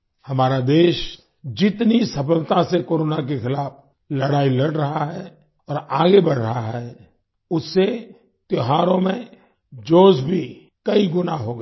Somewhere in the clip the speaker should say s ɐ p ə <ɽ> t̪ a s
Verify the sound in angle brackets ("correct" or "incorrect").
incorrect